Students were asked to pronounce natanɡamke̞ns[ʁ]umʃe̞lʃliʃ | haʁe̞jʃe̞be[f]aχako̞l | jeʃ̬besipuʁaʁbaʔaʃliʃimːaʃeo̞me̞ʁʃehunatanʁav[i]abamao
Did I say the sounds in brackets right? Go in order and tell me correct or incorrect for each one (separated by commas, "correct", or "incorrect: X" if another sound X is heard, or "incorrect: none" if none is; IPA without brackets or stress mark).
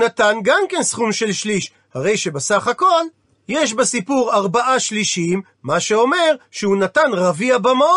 incorrect: χ, incorrect: s, correct